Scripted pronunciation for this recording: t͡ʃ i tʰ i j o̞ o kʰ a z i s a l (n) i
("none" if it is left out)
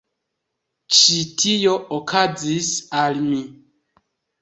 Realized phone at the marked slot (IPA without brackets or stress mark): m